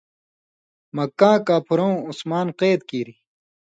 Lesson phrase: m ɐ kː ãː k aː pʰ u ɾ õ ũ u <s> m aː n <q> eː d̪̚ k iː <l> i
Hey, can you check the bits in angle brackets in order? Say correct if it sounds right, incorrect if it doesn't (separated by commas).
correct, correct, incorrect